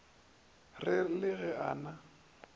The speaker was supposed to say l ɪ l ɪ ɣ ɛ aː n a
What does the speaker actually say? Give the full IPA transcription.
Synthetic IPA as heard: r ɪ l ɪ ɣ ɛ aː n a